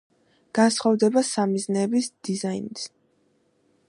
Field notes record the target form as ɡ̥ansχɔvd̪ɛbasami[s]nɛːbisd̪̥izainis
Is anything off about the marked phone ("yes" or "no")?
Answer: yes